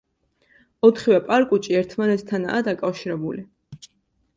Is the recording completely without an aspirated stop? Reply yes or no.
no